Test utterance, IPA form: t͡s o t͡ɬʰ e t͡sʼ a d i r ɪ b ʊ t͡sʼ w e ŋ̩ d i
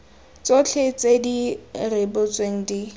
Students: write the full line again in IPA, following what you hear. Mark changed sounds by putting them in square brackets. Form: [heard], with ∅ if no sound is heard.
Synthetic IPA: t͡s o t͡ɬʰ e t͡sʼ [e] d i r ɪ b ʊ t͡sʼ w e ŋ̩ d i